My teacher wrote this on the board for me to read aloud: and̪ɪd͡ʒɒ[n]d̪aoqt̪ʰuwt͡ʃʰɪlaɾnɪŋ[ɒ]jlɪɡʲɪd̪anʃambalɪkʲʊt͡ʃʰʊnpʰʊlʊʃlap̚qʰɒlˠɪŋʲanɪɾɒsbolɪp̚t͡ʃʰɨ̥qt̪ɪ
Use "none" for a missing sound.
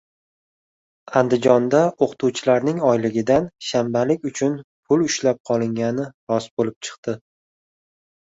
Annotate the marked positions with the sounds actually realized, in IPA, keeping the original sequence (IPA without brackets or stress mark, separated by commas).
n, ɒ